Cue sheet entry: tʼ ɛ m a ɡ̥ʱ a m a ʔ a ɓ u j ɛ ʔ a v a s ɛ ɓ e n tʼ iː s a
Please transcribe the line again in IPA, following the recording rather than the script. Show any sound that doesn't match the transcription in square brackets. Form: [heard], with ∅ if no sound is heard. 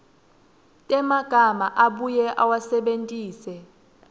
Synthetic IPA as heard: tʼ ɛ m a ɡ̥ʱ a m a ʔ a ɓ u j ɛ ʔ a [w] a s ɛ ɓ e n tʼ iː s [ɛ]